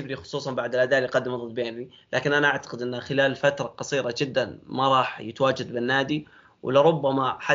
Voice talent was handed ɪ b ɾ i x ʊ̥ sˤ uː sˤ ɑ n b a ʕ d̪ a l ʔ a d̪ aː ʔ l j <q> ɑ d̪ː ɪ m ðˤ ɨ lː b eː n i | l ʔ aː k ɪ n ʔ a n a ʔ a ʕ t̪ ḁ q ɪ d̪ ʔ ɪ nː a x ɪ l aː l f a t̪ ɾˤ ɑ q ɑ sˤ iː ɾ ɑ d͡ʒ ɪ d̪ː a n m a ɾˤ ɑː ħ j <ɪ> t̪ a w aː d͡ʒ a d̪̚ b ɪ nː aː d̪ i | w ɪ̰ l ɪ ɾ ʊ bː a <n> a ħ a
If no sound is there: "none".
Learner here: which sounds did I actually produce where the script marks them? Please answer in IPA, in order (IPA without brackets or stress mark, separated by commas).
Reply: q, ɪ, m